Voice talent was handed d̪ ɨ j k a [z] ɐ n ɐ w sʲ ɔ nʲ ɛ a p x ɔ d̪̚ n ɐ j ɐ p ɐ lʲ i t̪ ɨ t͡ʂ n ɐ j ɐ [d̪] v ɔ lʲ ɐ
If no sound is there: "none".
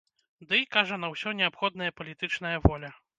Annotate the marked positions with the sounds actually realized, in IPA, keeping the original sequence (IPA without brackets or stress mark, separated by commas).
ʐ, none